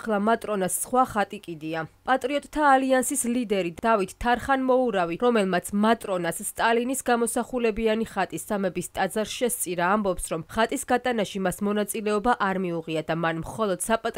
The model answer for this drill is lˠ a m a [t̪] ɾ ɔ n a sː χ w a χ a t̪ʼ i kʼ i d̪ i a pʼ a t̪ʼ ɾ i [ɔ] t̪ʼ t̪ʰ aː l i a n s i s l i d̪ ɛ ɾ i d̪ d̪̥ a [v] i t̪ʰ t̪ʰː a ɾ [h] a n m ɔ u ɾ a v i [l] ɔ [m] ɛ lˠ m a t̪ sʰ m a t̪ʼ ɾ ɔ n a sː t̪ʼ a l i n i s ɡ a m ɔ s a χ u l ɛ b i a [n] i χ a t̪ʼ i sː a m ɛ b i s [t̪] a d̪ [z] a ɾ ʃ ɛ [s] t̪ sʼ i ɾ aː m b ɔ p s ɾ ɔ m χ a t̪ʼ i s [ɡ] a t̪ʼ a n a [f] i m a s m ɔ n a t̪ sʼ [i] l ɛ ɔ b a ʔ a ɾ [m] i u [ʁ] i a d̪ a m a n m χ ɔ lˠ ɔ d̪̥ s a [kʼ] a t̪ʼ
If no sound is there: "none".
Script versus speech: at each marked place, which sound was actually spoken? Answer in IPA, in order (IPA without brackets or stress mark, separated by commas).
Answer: t̪ʼ, ɔ, v, χ, ɾ, m, n, t̪ʼ, z, s, ɡ, ʃ, i, m, ʁ, pʼ